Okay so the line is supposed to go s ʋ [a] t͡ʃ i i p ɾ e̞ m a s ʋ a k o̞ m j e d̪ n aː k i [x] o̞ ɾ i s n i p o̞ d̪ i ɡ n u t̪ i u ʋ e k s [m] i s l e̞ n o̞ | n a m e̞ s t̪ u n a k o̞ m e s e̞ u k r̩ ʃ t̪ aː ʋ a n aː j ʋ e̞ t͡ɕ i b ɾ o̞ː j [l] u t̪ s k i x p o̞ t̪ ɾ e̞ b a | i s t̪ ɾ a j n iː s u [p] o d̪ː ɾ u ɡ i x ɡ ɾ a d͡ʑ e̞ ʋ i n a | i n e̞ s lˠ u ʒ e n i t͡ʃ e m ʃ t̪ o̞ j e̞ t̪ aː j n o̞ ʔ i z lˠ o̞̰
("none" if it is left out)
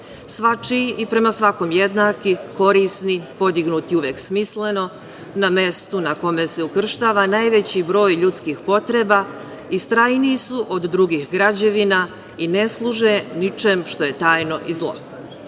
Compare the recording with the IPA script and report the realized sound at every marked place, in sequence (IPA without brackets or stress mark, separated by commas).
a, k, m, ʎ, ʔ